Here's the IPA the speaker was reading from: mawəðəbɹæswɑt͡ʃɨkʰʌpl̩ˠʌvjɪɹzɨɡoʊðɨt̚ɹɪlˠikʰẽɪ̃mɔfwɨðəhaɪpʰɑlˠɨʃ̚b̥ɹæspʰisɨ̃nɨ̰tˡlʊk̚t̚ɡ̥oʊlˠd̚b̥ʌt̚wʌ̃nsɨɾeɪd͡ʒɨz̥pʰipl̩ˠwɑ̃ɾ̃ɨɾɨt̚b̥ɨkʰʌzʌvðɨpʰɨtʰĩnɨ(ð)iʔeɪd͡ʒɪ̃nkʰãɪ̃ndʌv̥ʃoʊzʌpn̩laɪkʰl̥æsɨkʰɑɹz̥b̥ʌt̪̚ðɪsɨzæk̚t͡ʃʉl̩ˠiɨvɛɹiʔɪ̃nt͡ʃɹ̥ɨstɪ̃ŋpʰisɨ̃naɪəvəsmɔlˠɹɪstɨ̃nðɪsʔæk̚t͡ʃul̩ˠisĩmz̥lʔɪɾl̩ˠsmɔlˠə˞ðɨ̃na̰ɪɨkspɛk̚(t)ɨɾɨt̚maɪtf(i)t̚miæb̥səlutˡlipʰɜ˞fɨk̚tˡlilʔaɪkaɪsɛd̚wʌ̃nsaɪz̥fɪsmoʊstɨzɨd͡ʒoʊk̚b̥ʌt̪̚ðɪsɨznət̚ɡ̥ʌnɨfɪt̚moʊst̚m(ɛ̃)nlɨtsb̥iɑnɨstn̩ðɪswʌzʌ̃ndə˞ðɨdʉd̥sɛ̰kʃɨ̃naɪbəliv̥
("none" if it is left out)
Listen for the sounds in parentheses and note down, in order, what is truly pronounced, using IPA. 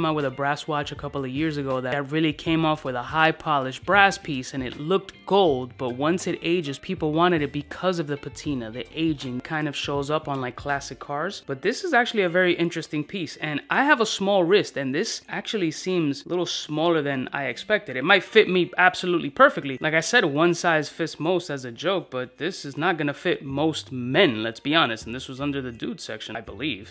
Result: ð, t, ɪ, ɛ̃

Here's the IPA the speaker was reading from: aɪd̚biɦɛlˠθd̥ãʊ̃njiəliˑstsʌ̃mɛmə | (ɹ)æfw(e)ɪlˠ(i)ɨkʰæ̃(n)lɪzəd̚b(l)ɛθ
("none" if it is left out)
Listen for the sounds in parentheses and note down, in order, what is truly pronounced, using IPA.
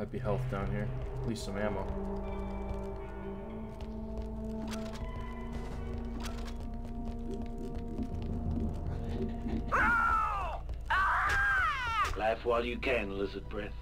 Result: l, a, j, n, ɹ

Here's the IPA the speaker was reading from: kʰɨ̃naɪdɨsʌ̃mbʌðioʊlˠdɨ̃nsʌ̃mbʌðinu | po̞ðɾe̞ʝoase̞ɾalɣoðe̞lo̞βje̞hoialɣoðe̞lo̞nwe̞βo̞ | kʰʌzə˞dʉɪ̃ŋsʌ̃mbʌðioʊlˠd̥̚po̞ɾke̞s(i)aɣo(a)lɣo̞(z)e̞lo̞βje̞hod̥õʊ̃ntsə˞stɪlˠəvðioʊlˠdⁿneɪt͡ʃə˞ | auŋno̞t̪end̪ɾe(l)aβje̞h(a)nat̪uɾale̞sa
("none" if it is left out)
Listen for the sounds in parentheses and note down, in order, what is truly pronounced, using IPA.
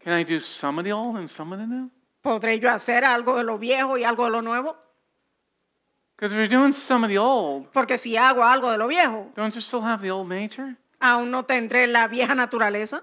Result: i, a, ð, l, a

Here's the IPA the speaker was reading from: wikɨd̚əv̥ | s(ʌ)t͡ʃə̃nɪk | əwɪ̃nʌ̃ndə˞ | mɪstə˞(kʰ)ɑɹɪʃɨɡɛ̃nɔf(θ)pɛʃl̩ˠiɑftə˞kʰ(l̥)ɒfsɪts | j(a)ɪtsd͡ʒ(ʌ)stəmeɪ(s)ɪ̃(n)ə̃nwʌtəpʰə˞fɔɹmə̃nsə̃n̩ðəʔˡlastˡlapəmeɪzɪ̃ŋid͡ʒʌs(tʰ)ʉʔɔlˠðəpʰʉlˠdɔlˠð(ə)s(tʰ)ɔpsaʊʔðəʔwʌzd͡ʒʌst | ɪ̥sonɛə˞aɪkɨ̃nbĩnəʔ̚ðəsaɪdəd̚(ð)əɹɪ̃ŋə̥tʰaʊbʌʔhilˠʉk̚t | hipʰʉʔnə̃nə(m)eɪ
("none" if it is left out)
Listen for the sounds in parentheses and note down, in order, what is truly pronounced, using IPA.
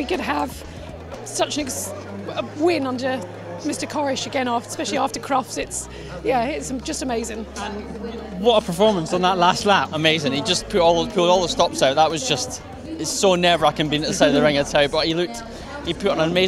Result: ʌ, kʰ, s, ɹ̥, æ, ʌ, z, ŋ, pʰ, ə, t, ð, m

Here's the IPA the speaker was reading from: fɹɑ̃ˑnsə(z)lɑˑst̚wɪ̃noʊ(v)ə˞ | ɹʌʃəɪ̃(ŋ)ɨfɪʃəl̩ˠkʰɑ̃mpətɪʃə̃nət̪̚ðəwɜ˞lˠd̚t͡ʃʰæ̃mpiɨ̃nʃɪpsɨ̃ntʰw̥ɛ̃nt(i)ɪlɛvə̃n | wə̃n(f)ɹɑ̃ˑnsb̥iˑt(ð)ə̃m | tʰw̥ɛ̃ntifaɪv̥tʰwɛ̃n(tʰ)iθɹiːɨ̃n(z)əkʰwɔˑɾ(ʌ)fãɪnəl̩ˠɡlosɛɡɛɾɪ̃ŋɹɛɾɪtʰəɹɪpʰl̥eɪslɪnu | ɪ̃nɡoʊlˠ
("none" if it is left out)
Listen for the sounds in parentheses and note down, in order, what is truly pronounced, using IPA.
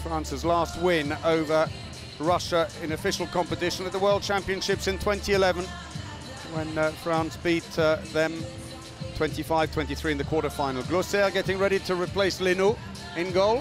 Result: z, v, n, i, f, ð, t, ð, ə

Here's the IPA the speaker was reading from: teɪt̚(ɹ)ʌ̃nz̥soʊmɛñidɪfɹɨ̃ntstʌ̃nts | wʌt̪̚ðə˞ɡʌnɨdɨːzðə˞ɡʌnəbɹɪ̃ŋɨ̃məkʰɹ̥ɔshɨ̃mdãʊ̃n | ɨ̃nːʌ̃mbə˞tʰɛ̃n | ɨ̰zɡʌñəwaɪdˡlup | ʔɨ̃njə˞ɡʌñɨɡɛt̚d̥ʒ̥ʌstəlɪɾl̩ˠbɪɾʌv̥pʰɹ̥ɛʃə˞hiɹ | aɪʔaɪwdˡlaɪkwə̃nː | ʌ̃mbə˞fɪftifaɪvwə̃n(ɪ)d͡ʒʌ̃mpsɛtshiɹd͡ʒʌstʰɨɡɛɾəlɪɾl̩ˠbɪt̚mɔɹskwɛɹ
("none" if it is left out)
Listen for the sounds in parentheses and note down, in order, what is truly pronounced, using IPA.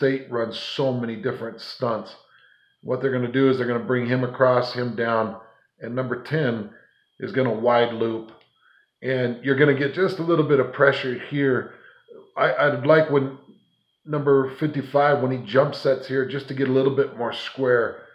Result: ɹ, i

